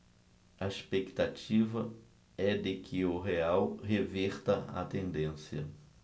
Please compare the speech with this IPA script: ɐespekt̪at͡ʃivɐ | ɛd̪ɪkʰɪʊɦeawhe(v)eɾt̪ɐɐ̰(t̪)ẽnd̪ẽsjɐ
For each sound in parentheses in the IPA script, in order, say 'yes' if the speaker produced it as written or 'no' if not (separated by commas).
yes, yes